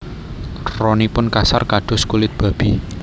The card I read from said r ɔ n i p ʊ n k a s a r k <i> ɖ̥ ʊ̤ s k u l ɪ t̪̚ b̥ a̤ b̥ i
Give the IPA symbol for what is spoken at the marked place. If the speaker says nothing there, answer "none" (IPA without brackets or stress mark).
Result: a